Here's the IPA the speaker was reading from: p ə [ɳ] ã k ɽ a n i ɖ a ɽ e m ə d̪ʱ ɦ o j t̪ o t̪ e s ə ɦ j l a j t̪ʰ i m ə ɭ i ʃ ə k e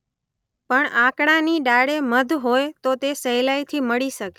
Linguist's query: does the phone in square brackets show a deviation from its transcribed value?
no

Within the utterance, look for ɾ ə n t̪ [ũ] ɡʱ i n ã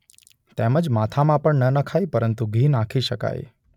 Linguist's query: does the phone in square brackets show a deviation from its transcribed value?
yes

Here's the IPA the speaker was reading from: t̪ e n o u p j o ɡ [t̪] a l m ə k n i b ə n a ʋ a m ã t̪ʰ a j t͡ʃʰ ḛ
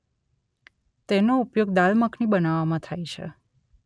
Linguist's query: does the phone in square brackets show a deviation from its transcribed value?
yes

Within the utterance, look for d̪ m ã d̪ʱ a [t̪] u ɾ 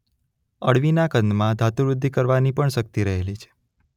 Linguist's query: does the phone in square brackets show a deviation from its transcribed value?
no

